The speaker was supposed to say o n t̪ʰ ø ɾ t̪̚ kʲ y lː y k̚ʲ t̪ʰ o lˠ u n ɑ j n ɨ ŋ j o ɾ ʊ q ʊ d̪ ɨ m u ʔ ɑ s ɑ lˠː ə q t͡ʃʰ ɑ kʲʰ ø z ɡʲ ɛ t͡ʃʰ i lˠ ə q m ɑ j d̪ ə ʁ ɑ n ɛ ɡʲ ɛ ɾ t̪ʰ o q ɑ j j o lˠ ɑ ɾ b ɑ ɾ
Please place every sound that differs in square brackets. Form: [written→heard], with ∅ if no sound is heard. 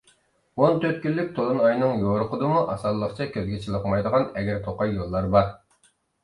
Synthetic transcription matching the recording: o n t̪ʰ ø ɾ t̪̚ kʲ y lː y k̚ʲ t̪ʰ o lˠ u n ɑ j n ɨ ŋ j o ɾ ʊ q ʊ d̪ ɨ m u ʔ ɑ s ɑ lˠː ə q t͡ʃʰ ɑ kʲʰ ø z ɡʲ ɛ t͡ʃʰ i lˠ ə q m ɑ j d̪ ə ʁ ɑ n ɛ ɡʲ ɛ ɾ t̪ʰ o q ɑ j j o [lˠ→lˠː] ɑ ɾ b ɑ ɾ